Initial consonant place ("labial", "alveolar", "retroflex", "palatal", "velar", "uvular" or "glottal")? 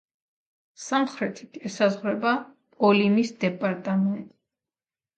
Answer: alveolar